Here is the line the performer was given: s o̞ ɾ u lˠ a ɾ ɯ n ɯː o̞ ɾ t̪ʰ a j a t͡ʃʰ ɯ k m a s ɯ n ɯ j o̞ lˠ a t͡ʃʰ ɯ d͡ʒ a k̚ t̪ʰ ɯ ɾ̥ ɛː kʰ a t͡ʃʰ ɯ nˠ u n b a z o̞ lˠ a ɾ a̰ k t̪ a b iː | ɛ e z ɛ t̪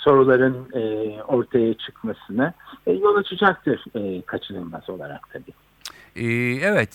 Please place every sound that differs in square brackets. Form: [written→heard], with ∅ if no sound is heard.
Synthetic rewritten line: s o̞ ɾ u lˠ a ɾ ɯ n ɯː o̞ ɾ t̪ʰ a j a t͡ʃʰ ɯ k m a s ɯ n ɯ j o̞ lˠ a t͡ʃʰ ɯ d͡ʒ a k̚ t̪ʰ ɯ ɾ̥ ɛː kʰ a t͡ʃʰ ɯ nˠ [u→ɯ] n [b→m] a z o̞ lˠ a ɾ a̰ k [t̪→t̪ʰ] a b iː | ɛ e [z→v] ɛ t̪